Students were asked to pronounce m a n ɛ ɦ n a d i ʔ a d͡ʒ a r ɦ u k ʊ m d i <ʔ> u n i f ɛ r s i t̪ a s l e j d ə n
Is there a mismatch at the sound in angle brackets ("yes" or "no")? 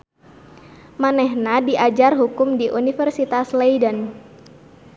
no